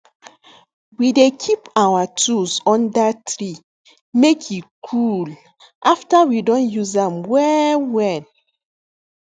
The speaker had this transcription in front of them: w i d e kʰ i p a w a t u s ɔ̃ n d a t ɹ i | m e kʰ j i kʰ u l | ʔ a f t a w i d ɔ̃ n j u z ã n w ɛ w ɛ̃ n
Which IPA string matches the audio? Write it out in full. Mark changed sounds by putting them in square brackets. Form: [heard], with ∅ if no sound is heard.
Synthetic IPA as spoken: w i d e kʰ i p a w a t u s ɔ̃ n d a t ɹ i | m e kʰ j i kʰ u l | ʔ a f t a w i d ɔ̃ n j u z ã [m] w ɛ w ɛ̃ n